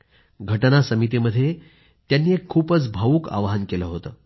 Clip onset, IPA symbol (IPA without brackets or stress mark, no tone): ɡʱ